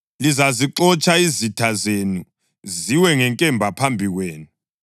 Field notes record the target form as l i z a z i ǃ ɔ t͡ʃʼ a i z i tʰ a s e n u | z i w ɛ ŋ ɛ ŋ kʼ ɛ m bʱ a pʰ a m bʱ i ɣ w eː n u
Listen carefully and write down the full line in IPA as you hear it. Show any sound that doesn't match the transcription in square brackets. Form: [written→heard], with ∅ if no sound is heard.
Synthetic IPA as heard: l i z a z i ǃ ɔ t͡ʃʼ a i z i tʰ a [s→z] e n u | z i w ɛ ŋ ɛ ŋ kʼ ɛ m bʱ a pʰ a m bʱ i ɣ w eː n u